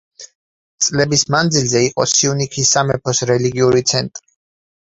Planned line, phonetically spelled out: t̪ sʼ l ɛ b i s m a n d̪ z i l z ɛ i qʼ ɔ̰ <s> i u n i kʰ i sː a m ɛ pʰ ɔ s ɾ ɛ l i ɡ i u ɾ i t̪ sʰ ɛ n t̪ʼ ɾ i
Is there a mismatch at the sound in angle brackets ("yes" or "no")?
no